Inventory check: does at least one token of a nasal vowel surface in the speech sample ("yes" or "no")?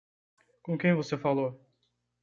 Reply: yes